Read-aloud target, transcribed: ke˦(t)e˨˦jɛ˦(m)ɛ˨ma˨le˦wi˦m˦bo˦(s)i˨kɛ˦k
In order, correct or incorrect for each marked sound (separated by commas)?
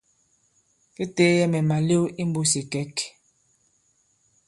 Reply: correct, correct, correct